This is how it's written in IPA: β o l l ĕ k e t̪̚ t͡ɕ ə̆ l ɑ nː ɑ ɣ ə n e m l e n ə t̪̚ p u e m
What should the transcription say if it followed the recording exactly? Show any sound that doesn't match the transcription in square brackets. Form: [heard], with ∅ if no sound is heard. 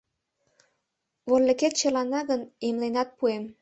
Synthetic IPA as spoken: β o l l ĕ k e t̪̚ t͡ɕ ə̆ l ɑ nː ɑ ɣ ə n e m l e n [ɑ] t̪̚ p u e m

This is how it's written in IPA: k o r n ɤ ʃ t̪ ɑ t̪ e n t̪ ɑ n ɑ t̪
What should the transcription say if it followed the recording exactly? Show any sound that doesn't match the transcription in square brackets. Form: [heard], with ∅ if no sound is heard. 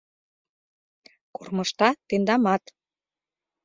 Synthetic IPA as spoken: k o r [m] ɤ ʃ t̪ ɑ t̪ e n [d̪] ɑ [m] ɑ t̪

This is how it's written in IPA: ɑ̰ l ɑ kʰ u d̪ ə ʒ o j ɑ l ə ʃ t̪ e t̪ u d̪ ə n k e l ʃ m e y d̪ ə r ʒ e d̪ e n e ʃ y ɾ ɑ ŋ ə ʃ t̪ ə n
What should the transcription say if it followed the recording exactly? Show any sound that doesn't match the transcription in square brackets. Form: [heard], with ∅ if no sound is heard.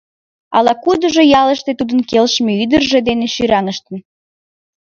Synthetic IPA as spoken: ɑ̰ l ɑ [k] u d̪ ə ʒ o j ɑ l ə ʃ t̪ e t̪ u d̪ ə n k e l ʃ m e y d̪ ə r ʒ e d̪ e n e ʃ y ɾ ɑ ŋ ə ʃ t̪ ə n

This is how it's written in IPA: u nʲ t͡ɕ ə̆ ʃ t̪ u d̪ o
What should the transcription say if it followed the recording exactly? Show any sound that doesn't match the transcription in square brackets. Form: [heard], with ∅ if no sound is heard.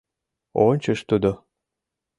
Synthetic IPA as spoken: [o] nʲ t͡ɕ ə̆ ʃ t̪ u d̪ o

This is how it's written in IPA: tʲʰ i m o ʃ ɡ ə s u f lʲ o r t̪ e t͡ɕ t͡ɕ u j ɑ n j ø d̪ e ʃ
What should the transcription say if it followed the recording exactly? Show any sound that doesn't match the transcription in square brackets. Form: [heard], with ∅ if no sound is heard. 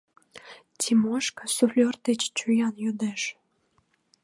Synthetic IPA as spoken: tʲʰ i m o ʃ [k] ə s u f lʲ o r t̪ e t͡ɕ t͡ɕ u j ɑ n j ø d̪ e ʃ

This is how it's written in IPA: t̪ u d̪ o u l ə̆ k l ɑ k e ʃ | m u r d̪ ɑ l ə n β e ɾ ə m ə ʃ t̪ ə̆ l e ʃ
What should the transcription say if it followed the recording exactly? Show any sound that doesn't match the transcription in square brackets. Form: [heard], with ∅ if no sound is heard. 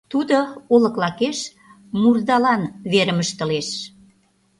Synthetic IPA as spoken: t̪ u d̪ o [o] l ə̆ k l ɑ k e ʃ | m u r d̪ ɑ l [ɑ] n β e ɾ ə m ə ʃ t̪ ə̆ l e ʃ

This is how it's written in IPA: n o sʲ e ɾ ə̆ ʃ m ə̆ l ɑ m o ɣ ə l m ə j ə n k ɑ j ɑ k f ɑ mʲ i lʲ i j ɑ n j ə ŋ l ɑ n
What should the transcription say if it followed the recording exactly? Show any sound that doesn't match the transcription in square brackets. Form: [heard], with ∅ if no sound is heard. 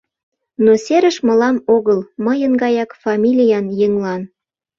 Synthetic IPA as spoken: n o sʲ e ɾ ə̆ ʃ m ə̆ l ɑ m o ɣ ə l m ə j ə n [ɡ] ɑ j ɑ k f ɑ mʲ i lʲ i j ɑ n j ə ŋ l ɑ n

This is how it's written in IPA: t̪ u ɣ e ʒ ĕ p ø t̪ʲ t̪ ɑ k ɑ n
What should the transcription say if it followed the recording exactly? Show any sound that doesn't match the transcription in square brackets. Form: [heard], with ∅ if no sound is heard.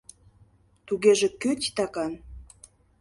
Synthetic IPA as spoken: t̪ u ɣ e ʒ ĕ [k] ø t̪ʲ t̪ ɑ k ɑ n

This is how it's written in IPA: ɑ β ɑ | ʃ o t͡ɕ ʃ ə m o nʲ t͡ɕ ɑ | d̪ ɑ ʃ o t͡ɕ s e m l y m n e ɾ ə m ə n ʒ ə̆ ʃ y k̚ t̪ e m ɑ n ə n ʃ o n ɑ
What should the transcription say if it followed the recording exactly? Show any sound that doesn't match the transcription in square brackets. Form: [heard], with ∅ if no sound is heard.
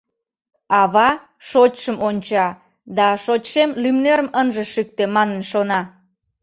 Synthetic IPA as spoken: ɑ β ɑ | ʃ o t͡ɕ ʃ ə m o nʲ t͡ɕ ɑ | d̪ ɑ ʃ o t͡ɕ [ʃ] e m l y m n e ɾ ə m ə n ʒ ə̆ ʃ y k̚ t̪ e m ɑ n ə n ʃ o n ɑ

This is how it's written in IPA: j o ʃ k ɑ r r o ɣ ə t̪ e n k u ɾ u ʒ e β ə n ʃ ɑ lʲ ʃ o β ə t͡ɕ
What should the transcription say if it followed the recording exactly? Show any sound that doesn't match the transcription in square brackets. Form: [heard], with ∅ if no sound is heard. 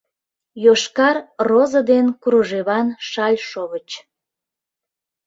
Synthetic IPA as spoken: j o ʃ k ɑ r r o [z] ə [d̪] e n k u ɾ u ʒ e β [ɑ] n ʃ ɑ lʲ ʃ o β ə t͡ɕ

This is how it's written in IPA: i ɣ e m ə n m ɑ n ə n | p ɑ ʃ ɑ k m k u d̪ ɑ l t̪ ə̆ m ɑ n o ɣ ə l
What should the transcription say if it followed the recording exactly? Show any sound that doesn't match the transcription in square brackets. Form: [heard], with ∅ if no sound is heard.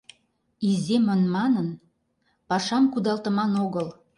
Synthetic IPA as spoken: i [z] e m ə n m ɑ n ə n | p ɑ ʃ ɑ [∅] m k u d̪ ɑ l t̪ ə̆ m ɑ n o ɣ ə l

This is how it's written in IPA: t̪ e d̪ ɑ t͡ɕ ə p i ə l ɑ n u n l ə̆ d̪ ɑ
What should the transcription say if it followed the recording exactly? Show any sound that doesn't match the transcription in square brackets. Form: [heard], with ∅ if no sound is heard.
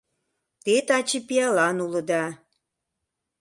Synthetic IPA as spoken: t̪ e [t̪] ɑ t͡ɕ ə p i [ɑ] l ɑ n u [∅] l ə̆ d̪ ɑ

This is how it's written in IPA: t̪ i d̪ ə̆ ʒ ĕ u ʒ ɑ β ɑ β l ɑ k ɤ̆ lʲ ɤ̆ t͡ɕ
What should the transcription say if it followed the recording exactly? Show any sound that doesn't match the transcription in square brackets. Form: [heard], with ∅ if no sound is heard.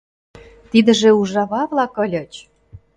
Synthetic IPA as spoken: t̪ i d̪ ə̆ ʒ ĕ u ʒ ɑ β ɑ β l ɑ k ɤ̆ lʲ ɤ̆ t͡ɕ

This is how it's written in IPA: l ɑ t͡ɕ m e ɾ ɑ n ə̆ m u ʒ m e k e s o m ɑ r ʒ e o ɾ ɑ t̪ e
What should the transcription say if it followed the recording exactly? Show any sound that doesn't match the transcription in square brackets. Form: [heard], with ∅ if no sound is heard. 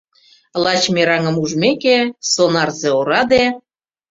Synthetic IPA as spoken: l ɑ t͡ɕ m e ɾ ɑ [ŋ] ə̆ m u ʒ m e k e s o [n] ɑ r [z] e o ɾ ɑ [d̪] e

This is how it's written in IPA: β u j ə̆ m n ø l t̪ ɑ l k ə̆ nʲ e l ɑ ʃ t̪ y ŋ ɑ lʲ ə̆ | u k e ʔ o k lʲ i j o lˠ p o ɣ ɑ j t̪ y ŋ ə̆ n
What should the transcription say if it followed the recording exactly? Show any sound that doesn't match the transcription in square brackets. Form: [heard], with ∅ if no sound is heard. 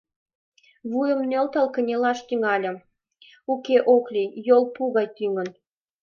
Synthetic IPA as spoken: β u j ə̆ m n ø l t̪ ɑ l k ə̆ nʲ e l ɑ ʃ t̪ y ŋ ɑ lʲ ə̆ | u k e ʔ o k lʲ i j o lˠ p [u] ɣ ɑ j t̪ y ŋ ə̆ n

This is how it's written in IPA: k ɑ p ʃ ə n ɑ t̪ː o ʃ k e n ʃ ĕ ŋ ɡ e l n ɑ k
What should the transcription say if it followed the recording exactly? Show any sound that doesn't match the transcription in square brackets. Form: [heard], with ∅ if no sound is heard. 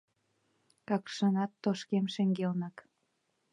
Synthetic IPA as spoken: k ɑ [k] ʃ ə n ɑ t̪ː o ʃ k e [m] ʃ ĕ ŋ ɡ e l n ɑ k

